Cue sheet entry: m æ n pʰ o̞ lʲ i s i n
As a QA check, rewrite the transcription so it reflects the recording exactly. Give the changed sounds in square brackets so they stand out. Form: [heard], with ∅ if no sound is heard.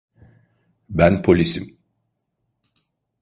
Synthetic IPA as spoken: [b] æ n pʰ o̞ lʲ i s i [m]